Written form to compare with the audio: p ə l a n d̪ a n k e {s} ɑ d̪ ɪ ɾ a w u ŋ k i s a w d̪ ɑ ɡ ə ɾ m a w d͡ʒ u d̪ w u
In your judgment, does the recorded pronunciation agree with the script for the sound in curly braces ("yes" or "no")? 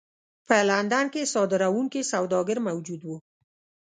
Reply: yes